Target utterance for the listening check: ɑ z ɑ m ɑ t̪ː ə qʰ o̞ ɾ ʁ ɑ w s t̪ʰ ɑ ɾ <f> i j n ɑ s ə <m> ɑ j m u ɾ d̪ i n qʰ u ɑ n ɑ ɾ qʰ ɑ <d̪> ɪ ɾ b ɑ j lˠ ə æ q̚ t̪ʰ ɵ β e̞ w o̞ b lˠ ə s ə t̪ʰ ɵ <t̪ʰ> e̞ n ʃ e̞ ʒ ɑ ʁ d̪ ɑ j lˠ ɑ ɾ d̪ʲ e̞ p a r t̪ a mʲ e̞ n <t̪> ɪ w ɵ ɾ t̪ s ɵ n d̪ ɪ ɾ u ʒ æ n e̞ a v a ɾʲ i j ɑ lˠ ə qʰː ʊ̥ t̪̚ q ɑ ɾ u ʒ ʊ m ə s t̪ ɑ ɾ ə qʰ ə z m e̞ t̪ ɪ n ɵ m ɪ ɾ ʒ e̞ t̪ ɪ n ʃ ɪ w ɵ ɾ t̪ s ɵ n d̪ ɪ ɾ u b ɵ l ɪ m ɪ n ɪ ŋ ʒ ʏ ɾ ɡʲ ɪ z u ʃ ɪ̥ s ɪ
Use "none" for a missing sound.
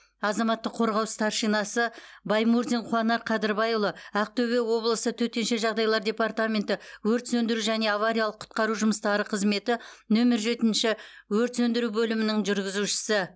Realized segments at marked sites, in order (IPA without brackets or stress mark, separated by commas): ʃ, b, d̪, t̪, t̪